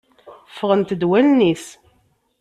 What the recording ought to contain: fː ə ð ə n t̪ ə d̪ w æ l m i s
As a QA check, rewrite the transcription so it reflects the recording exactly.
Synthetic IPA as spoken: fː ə ʁ ə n t̪ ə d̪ w æ l n i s